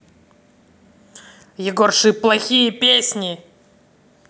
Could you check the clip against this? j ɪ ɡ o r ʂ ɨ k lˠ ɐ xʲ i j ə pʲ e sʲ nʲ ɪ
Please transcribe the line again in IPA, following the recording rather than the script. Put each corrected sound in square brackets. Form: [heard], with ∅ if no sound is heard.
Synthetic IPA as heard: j ɪ ɡ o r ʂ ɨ [p] lˠ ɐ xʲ i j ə pʲ e sʲ nʲ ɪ

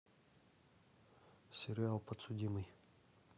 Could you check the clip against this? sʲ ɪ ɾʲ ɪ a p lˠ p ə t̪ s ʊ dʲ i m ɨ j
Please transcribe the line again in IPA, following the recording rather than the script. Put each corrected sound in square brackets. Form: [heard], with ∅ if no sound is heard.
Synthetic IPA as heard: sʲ ɪ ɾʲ ɪ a [∅] lˠ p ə t̪ s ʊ dʲ i m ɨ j

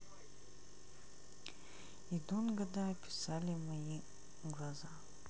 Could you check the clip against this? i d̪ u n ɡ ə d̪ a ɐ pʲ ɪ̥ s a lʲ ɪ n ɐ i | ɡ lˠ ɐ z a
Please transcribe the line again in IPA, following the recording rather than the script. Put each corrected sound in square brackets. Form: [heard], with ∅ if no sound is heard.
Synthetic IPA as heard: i d̪ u n ɡ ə d̪ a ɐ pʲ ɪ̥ s a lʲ ɪ [m] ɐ i | ɡ lˠ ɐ z a

